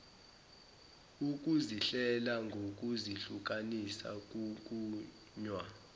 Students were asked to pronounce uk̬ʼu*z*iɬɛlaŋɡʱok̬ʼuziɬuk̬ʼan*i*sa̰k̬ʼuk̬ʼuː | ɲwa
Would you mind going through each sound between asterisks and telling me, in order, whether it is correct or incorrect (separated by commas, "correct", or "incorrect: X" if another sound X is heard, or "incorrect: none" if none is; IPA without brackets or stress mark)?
correct, correct